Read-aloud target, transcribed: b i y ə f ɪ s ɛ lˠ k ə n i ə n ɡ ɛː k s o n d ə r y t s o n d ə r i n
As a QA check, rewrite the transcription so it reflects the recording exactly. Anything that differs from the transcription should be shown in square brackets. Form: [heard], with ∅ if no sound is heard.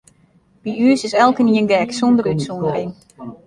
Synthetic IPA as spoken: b i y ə [s] ɪ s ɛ lˠ k ə n i ə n ɡ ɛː k s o n d ə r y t s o n d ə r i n